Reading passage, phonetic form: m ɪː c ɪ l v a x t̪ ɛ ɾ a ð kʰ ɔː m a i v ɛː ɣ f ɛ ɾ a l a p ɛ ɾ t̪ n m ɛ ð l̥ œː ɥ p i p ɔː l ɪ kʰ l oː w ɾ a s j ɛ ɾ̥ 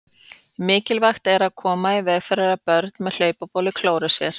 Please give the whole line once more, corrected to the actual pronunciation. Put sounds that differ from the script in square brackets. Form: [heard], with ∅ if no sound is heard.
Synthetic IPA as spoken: m ɪː c ɪ l v a x t̪ ɛ ɾ a ð kʰ ɔː m a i v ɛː ɣ f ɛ ɾ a [ɾ] a p [œ] ɾ t̪ n m ɛ ð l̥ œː ɥ p [a] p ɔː l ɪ kʰ l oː w ɾ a s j ɛ ɾ̥